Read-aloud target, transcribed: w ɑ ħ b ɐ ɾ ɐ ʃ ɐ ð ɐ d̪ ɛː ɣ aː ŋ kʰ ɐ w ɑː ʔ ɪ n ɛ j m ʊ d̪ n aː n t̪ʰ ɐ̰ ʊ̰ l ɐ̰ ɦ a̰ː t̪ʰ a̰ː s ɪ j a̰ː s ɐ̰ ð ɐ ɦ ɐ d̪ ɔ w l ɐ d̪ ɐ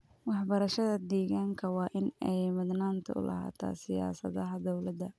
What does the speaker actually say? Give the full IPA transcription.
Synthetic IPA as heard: w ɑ ħ b ɐ ɾ ɐ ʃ ɐ ð ɐ d̪ ɛː ɣ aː ŋ kʰ ɐ w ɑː ʔ ɪ n ɛ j m ʊ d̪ n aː n t̪ʰ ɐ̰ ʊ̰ l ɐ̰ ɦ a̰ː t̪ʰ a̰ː s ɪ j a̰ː s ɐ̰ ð ɐ ɦ ɐ d̪ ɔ w l ɐ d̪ ɐ